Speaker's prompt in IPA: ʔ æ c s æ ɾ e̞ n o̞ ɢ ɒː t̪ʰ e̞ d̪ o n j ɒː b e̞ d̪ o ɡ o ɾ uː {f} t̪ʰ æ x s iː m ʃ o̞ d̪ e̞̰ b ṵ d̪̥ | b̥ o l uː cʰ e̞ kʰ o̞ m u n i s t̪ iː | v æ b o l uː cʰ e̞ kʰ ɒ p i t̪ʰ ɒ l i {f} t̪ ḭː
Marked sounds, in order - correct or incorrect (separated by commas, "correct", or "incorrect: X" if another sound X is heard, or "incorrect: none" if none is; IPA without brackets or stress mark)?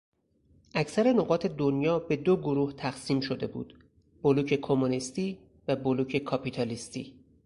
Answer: incorrect: h, incorrect: s